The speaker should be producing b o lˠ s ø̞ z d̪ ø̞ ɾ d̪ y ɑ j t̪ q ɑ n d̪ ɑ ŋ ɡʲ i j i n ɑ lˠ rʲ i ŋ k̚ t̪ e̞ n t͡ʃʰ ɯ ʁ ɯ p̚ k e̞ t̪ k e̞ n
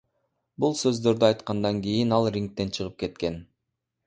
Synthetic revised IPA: b u lˠ s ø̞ z d̪ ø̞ ɾ d̪ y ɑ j t̪ q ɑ n d̪ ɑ ŋ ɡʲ i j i n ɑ lˠ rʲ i ŋ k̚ t̪ e̞ n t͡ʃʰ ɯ ʁ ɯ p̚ k e̞ t̪ k e̞ n